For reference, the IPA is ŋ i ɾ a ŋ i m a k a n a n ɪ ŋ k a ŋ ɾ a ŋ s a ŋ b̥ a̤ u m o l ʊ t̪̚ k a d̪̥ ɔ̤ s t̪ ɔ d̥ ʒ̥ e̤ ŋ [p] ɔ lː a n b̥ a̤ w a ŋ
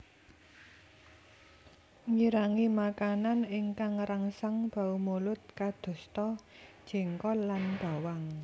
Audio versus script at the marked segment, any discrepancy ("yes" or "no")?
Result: yes